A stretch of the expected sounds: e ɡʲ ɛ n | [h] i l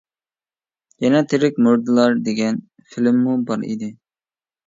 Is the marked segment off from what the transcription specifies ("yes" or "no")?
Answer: yes